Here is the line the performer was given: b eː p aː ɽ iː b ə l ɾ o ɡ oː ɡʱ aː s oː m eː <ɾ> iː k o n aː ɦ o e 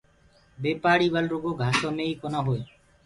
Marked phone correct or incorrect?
incorrect: none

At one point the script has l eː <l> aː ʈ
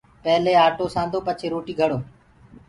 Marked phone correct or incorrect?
incorrect: none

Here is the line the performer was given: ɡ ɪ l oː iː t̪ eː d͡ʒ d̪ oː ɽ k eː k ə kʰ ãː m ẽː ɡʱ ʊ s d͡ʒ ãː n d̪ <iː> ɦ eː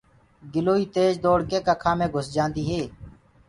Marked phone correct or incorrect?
correct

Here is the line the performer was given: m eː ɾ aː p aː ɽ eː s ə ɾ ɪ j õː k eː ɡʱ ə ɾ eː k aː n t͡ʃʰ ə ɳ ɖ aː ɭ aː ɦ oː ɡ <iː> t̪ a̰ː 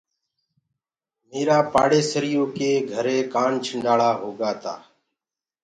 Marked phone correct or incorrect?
incorrect: aː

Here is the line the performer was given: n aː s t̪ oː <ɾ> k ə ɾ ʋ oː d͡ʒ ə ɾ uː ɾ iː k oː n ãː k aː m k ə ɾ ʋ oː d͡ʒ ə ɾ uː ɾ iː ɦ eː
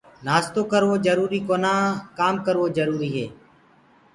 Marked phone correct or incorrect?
incorrect: none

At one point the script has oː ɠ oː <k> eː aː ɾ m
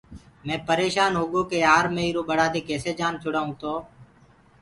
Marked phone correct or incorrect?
correct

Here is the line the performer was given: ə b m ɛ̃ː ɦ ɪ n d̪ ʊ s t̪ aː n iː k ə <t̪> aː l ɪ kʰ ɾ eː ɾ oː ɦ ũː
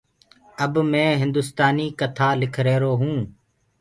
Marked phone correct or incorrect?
incorrect: t̪ʰ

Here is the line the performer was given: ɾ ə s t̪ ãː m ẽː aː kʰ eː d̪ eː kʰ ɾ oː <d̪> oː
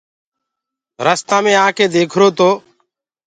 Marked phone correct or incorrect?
incorrect: t̪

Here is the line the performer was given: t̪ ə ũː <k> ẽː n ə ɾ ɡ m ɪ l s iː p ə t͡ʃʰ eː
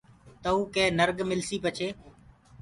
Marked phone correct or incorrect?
correct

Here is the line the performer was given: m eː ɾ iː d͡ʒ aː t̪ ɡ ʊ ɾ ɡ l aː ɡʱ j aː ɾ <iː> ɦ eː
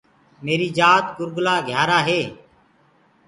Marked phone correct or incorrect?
incorrect: aː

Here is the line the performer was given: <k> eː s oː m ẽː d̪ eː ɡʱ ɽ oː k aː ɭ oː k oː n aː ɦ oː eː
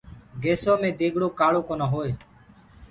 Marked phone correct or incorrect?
incorrect: ɡ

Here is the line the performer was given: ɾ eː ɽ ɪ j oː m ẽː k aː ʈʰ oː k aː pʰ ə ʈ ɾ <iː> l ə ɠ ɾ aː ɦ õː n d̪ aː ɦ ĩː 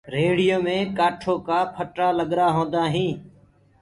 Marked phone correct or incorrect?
incorrect: aː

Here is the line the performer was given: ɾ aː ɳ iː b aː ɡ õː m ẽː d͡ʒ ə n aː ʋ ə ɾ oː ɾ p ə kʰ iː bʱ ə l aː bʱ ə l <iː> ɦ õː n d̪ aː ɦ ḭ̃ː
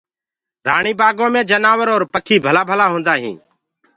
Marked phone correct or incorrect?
incorrect: aː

